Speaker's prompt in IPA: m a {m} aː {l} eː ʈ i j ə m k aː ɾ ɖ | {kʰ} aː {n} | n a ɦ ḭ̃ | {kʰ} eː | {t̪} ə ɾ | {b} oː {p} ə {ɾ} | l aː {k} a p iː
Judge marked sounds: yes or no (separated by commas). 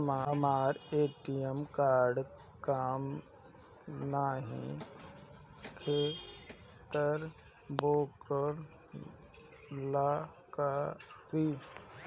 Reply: yes, no, no, no, yes, yes, yes, no, yes, yes